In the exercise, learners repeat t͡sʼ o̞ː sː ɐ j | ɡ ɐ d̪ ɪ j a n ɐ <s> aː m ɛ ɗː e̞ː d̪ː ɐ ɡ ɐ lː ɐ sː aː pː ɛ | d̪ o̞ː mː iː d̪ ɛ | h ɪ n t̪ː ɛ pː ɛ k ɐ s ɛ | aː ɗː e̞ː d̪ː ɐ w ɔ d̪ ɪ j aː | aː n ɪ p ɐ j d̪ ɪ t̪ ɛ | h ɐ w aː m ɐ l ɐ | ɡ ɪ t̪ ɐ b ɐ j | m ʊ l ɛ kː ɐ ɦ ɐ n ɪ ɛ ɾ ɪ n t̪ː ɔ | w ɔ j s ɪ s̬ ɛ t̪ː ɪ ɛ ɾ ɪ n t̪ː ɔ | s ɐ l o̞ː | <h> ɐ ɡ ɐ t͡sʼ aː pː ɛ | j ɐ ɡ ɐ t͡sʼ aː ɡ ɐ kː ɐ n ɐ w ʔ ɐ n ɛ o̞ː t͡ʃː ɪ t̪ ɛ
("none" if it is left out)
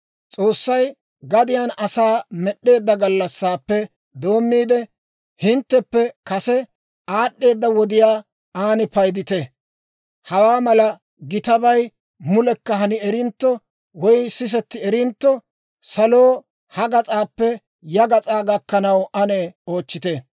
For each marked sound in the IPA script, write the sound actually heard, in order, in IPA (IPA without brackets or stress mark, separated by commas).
s, h